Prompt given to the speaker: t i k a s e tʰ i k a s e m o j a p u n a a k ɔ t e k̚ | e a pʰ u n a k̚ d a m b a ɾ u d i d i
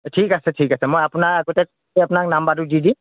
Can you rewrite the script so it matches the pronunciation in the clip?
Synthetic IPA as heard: tʰ i k a s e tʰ i k a s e m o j a p u n a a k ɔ t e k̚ | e a p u n a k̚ n a m b a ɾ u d i d i